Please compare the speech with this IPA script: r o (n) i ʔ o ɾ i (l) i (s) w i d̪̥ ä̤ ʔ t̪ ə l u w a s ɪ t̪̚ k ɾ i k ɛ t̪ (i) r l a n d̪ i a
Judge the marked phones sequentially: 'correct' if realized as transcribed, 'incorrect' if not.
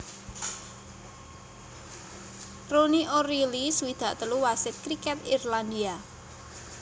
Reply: correct, correct, correct, correct

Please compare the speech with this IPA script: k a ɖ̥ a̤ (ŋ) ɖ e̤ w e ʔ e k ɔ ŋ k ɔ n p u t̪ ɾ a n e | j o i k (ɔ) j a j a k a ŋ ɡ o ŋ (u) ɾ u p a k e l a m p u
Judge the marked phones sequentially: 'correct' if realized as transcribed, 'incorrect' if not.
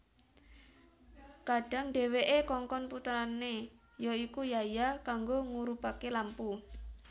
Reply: correct, incorrect: u, correct

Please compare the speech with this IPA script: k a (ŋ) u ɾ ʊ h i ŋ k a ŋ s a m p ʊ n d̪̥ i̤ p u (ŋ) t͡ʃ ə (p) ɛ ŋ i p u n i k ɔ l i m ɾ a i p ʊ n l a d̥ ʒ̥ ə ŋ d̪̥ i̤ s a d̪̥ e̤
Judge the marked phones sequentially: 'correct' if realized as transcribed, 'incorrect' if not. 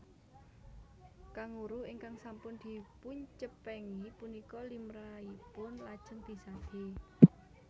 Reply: correct, incorrect: ɲ, correct

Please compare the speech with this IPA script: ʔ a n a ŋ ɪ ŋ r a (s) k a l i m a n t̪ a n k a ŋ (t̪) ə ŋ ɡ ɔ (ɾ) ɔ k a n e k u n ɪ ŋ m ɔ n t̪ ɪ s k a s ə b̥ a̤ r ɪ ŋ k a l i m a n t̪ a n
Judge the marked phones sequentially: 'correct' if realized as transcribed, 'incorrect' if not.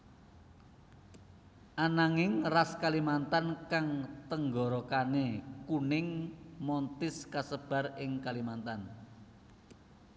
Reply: correct, correct, correct

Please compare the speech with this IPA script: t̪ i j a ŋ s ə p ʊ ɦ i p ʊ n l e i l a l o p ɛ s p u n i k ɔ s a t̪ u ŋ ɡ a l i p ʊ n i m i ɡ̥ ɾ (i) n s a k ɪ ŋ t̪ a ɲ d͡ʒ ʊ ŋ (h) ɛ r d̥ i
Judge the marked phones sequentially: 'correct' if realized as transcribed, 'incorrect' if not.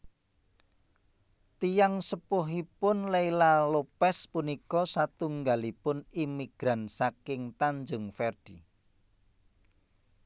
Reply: incorrect: a, incorrect: f

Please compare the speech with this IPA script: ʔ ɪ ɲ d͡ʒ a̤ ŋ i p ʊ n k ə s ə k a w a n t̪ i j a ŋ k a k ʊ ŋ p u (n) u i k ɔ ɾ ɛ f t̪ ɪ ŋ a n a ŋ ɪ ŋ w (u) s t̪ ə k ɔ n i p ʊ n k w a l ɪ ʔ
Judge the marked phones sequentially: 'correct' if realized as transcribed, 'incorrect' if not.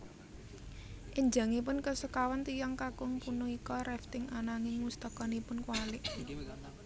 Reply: correct, correct

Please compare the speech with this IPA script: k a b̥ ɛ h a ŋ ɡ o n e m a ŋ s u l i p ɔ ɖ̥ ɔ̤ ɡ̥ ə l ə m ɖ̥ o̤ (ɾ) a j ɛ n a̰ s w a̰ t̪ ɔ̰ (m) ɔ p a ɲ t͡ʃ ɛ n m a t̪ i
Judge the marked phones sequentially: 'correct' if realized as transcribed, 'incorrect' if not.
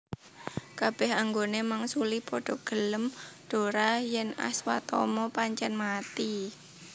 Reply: correct, correct

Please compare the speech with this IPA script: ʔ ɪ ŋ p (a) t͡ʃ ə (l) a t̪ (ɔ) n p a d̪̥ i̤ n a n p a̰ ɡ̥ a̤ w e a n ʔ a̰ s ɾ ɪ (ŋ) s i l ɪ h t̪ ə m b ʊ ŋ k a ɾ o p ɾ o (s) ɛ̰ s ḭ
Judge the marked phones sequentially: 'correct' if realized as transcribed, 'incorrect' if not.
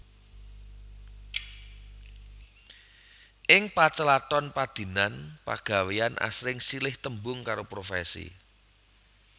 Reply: correct, correct, correct, correct, incorrect: f

